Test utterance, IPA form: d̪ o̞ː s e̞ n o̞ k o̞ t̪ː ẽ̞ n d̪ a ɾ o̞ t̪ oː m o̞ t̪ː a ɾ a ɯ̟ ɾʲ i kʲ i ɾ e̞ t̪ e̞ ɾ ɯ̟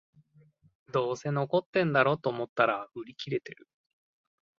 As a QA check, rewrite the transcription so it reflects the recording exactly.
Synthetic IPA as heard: d̪ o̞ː s e̞ n o̞ k o̞ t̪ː ẽ̞ n d̪ a ɾ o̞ t̪ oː m o̞ t̪ː a ɾ a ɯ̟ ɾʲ i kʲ i ɾ e̞ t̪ e̞ ɾ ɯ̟

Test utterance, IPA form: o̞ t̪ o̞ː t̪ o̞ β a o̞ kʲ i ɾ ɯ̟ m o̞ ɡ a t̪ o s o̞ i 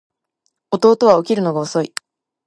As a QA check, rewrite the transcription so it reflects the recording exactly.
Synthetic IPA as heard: o̞ t̪ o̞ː t̪ o̞ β a o̞ kʲ i ɾ ɯ̟ n o̞ ɡ a o s o̞ i

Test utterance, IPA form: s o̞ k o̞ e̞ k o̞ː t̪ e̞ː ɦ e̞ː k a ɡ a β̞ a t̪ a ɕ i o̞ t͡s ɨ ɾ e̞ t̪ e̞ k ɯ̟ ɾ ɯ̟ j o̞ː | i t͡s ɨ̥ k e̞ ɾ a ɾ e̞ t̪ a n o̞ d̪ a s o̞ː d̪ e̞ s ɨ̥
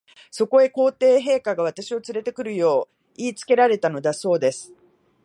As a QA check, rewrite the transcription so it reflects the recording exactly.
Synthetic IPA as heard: s o̞ k o̞ e̞ k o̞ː t̪ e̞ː ɦ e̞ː k a ɡ a β̞ a t̪ a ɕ i o̞ t͡s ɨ ɾ e̞ t̪ e̞ k ɯ̟ ɾ ɯ̟ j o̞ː | iː t͡s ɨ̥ k e̞ ɾ a ɾ e̞ t̪ a n o̞ d̪ a s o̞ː d̪ e̞ s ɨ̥

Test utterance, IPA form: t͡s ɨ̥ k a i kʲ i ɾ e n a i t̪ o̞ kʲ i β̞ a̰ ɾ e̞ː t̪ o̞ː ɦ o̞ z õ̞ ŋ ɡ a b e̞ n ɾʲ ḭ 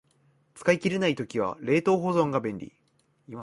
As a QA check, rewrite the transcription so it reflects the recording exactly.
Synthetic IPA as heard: t͡s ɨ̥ k a i kʲ i ɾ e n a i t̪ o̞ kʲ i β̞ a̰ ɾ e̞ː t̪ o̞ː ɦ o̞ z õ̞ ŋ ɡ a b ẽ̞ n ɾʲ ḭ

